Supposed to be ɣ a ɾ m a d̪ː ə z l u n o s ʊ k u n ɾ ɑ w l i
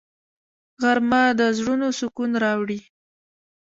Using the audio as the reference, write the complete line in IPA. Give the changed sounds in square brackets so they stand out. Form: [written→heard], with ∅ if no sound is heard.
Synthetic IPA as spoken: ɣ a ɾ m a [d̪ː→d̪] ə z [l→ɽ] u n o s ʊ k u n ɾ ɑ w [l→ɽ] i